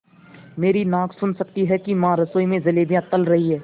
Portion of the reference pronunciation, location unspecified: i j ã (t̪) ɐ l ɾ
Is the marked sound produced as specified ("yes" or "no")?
yes